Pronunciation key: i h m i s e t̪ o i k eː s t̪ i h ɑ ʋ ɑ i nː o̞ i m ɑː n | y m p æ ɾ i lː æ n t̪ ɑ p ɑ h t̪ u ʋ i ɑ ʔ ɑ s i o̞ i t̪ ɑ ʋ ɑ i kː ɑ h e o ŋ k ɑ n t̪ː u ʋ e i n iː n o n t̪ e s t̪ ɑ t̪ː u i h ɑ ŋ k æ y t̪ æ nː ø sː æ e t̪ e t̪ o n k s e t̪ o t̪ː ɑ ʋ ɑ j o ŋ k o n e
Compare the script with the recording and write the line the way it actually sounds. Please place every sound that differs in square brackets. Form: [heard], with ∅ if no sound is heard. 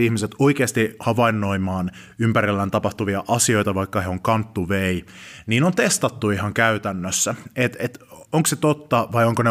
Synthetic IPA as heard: i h m i s e t̪ o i k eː s t̪ i h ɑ ʋ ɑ i nː o̞ i m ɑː n | y m p æ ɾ i lː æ n t̪ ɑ p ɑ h t̪ u ʋ i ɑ ʔ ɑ s i o̞ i t̪ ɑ ʋ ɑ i kː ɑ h e o ŋ k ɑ n t̪ː u ʋ e i n iː n o n t̪ e s t̪ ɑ t̪ː u i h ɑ ŋ k æ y t̪ æ nː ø sː æ e t̪ e t̪ o [ŋ] k s e t̪ o t̪ː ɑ ʋ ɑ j o ŋ k o n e